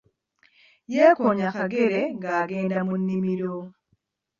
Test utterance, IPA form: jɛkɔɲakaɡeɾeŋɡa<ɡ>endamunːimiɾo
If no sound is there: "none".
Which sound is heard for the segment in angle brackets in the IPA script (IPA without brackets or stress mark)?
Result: ɡ